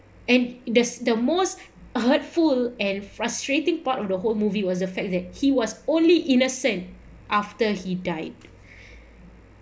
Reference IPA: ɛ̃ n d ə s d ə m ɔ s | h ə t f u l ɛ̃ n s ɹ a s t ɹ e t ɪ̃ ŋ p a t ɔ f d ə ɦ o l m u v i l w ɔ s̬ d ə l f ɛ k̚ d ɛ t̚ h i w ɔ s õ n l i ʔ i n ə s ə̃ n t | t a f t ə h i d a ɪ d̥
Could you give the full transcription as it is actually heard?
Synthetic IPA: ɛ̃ n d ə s d ə m o s | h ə t f u l ɛ̃ n f ɹ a s t ɹ e t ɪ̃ ŋ p a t ɔ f d ə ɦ o l m u v i w ɔ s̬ d ə f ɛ k̚ d ɛ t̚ h i w ɔ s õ n l i ʔ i n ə s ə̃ n t | ʔ a f t ə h i d a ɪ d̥

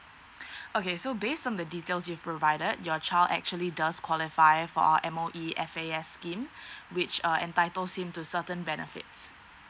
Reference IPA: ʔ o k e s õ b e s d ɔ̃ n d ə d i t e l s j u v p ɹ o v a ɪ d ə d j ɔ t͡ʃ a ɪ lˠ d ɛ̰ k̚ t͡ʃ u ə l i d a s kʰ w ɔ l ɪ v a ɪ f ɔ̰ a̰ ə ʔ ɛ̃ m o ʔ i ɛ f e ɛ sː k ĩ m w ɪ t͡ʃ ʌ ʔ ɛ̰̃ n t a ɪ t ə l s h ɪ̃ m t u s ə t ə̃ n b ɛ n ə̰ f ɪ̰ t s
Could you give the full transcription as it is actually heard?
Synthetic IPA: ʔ o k e s o b e s t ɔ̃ n d ə d i t e l s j u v p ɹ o v a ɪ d ə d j ɔ t͡ʃ a ɪ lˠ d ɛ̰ k̚ t͡ʃ u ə l i d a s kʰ w ɔ l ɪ f a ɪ f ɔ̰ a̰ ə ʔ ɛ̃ m o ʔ i ɛ f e ɛ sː k ĩ m w ɪ t͡ʃ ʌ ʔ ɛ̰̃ n t a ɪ t ə l s h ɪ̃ m t u s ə t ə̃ n b ɛ n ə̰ f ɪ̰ t s

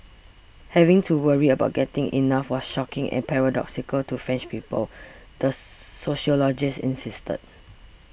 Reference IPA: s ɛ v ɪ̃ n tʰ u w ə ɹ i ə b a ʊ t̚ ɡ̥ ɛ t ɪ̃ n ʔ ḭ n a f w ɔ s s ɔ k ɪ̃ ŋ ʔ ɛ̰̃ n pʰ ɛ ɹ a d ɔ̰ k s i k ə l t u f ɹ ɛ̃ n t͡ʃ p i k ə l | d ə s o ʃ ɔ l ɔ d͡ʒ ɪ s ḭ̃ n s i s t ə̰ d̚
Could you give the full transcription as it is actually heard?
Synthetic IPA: h ɛ v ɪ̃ ŋ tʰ u w ə ɹ i ə b a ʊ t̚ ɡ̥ ɛ t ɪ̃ ŋ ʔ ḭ n a f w ɔ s ʃ ɔ k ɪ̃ ŋ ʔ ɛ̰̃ n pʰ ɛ ɹ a d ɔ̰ k s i k ə l t u f ɹ ɛ̃ n t͡ʃ p i p ə l | d ə s o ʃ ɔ l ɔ d͡ʒ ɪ s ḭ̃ n s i s t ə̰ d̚

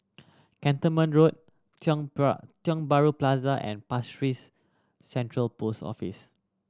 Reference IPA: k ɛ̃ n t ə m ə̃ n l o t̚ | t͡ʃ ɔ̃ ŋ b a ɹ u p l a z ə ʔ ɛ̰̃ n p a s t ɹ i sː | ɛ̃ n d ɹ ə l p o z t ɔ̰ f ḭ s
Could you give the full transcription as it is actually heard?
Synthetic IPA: k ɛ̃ n t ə m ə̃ n ɹ o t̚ | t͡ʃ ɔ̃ ŋ b a ɹ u p l a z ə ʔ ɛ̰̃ n p a s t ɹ i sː | ɛ̃ n t ɹ ə l p o s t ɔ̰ f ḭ s

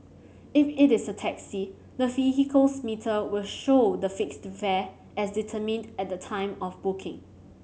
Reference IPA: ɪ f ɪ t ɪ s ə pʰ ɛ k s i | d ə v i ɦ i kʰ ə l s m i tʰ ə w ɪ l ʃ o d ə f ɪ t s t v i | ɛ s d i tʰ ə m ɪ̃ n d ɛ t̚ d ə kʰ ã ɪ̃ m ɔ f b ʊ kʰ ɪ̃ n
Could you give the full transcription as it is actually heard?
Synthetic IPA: ɪ f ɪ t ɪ s ə tʰ ɛ k s i | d ə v i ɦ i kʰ ə l s m i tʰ ə w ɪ l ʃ o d ə f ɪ k s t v ɛ | ɛ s d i tʰ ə m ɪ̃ n d ɛ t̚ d ə tʰ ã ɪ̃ m ɔ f b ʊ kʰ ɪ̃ ŋ

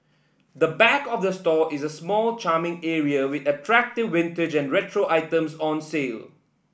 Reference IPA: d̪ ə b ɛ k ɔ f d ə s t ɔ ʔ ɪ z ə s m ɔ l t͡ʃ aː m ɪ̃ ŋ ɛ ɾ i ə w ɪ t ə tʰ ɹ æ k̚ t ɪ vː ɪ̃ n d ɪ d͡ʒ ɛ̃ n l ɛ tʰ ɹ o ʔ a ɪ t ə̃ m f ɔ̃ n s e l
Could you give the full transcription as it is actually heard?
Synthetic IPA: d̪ ə b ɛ k ɔ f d ə s t ɔ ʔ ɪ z ə s m ɔ l t͡ʃ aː m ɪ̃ ŋ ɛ ɹ i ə w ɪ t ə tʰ ɹ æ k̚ t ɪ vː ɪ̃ n t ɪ d͡ʒ ɛ̃ n ɹ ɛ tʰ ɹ o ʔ a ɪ t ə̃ m s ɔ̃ n s e l

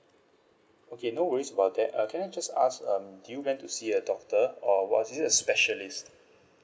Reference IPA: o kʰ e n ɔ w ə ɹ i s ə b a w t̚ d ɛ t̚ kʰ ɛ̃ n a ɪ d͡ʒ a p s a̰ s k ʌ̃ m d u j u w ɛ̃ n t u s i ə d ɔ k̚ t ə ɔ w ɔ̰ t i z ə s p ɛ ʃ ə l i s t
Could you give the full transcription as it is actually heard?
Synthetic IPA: o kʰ e n o w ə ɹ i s ə b a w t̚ d ɛ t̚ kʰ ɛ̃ n a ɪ d͡ʒ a s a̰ s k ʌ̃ m d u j u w ɛ̃ n t u s i ə d ɔ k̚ t ə ɔ w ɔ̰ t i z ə s p ɛ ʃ ə l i s t

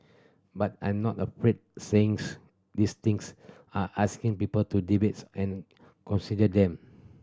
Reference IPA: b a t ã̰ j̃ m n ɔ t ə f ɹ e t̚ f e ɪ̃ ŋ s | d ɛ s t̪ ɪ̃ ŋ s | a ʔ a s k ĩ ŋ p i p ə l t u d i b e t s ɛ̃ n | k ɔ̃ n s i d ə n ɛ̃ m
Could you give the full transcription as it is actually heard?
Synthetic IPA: b a t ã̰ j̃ m n ɔ t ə f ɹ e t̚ s e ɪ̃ ŋ s | d i s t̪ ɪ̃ ŋ s | a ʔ a s k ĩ ŋ p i p ə l t u d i b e t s ɛ̃ n | k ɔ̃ n s i d ə d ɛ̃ m

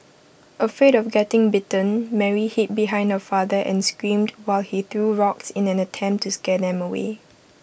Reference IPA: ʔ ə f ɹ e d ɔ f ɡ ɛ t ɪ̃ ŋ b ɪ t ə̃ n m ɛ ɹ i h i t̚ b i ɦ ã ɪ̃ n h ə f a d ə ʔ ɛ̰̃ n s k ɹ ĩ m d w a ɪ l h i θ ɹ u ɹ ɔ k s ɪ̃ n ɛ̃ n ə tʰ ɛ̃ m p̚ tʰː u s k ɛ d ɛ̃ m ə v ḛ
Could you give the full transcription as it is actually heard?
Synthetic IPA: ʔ ə f ɹ e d ɔ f ɡ ɛ t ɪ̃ ŋ b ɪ t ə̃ n m ɛ ɹ i h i t̚ b i ɦ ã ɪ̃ n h ə f a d ə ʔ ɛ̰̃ n s k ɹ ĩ m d w a ɪ l h i θ ɹ u ɹ ɔ k s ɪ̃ n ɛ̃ n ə tʰ ɛ̃ m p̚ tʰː u s k ɛ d ɛ̃ m ə w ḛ

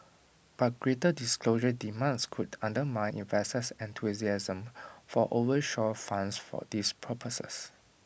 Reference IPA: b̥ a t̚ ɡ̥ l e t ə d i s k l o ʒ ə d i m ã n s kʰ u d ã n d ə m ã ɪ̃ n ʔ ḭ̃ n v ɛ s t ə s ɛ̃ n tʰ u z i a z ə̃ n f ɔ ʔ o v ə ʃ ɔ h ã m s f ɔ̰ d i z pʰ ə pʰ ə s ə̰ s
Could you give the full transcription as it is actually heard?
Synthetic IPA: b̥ a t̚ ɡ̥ ɹ e t ə d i s k l o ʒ ə d i m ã n s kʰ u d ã n d ə m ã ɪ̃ n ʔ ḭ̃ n v ɛ s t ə s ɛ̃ n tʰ u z i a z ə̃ m f ɔ ʔ o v ə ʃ ɔ f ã n s f ɔ̰ d i s pʰ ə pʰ ə s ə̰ s

